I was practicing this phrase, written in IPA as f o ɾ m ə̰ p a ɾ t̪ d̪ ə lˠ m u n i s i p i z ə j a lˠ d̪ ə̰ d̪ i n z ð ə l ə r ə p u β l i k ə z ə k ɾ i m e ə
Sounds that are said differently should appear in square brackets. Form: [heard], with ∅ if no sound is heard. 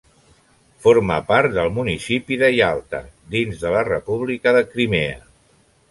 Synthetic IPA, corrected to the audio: f o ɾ m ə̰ p a ɾ t̪ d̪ ə lˠ m u n i s i p i [ð] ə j a lˠ [t̪] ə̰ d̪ i n z ð ə l ə r ə p u β l i k ə [ð] ə k ɾ i m e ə